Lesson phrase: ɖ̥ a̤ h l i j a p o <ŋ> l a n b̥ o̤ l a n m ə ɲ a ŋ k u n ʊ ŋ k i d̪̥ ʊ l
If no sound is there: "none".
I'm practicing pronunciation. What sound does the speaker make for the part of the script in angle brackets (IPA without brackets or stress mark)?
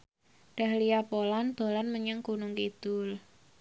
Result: none